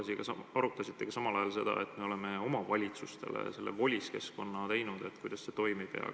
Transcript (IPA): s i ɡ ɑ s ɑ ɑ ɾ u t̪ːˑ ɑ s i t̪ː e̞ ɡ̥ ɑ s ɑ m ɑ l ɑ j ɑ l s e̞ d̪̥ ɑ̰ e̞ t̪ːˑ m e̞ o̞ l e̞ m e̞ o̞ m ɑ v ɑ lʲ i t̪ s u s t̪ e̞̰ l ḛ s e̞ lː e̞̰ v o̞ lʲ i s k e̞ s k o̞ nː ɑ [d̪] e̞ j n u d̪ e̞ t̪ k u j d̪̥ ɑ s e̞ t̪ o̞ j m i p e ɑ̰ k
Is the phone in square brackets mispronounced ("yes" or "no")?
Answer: yes